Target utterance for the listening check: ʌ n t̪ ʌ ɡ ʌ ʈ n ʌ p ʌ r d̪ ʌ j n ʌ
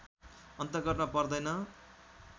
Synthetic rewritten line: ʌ n t̪ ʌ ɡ ʌ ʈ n ʌ p ʌ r d̪ ʌ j n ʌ